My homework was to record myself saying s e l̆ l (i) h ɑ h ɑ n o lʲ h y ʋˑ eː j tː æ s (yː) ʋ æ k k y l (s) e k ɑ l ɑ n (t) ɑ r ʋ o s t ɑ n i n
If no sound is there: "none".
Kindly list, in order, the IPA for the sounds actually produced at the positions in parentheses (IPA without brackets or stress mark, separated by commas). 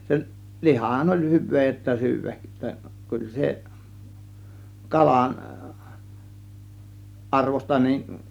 i, yː, s, ʔ